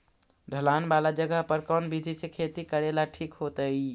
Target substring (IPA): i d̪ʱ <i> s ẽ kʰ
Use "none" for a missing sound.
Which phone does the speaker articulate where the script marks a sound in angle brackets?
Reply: i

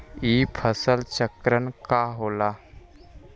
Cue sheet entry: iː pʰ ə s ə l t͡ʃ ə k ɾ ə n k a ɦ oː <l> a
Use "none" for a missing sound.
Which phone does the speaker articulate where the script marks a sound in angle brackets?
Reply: l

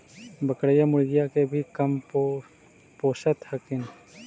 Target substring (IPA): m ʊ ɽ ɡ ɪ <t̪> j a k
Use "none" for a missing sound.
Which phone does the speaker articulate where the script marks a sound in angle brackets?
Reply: none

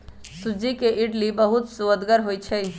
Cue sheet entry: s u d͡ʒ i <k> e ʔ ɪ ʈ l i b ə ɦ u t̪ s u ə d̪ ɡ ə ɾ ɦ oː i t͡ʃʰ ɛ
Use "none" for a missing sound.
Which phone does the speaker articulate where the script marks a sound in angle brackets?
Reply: k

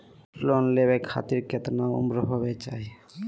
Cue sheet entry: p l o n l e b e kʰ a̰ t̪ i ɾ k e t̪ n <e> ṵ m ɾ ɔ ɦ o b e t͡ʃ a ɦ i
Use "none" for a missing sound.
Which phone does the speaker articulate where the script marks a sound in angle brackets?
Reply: a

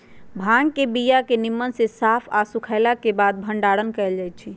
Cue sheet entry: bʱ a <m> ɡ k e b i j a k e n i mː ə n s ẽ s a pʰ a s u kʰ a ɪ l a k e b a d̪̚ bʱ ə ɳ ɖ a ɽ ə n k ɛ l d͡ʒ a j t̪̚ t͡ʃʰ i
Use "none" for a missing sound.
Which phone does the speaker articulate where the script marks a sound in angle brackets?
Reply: ŋ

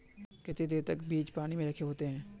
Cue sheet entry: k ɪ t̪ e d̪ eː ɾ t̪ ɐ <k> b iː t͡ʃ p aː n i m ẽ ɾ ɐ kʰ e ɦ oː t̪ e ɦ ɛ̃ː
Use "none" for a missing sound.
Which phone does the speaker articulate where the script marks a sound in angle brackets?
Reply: k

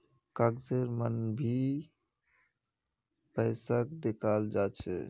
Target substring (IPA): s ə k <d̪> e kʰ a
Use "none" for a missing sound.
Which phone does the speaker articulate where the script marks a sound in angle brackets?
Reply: d̪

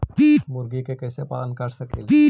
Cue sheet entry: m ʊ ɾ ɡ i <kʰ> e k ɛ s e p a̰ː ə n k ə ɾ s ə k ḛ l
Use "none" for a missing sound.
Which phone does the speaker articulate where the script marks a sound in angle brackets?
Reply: k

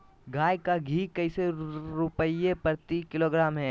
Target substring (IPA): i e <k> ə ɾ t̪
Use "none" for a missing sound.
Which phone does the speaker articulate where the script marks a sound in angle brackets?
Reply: p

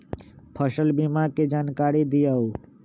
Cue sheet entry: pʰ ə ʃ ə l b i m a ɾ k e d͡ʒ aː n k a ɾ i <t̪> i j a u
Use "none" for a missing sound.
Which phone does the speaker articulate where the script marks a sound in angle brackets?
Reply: d̪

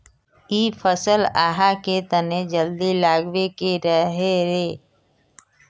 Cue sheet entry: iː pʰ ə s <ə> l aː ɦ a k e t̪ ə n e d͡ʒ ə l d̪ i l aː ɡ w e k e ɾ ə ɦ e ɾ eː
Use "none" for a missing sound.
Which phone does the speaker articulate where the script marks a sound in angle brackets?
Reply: ə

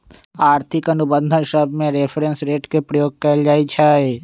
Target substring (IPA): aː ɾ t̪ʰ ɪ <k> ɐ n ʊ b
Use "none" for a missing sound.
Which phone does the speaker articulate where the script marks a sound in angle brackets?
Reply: k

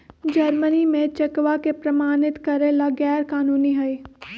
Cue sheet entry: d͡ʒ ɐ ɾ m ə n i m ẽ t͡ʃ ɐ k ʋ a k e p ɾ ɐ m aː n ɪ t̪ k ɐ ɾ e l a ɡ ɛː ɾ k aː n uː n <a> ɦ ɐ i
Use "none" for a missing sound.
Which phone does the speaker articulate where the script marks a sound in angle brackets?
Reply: i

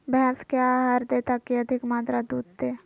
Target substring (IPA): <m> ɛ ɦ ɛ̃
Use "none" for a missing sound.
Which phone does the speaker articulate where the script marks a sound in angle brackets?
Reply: b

